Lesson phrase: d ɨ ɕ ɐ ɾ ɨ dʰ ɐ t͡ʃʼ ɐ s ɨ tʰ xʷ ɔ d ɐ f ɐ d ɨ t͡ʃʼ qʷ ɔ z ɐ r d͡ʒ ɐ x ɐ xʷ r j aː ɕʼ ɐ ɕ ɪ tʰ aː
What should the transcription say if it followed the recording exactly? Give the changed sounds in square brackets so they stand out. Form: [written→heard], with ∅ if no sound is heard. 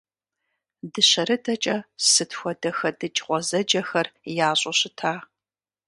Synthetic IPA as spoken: d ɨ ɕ ɐ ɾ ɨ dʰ ɐ t͡ʃʼ ɐ s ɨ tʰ xʷ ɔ d ɐ [f→x] ɐ d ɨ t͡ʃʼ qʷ ɔ z ɐ [r→∅] d͡ʒ ɐ x ɐ [xʷ→∅] r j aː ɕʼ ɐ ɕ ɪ tʰ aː